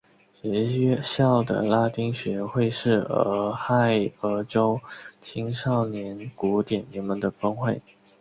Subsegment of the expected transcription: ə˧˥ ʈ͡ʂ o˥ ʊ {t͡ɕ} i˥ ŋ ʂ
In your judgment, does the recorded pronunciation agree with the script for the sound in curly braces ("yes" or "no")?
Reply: no